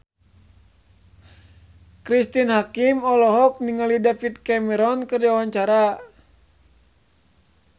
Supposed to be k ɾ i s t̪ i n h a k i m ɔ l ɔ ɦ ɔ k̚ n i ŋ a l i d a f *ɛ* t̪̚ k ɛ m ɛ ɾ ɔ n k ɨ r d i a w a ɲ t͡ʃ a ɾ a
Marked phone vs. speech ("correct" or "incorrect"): incorrect